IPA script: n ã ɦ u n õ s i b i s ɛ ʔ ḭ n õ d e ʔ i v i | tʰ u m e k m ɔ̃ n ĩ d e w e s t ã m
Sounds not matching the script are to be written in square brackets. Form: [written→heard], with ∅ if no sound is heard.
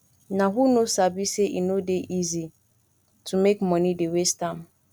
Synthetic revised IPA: n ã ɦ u n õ s [i→a] b i s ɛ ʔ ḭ n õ d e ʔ i [v→z] i | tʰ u m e k m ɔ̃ n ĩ d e w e s t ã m